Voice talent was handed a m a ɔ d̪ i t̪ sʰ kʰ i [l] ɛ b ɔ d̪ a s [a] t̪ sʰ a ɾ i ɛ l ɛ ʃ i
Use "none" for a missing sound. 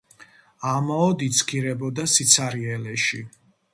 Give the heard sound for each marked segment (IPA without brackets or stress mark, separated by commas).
ɾ, i